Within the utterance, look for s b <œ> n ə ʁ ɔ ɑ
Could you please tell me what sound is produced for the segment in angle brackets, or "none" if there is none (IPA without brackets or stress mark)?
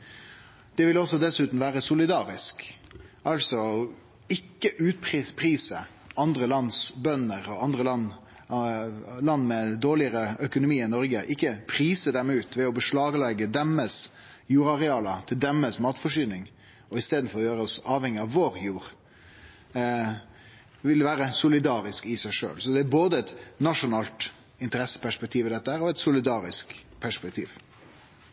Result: œ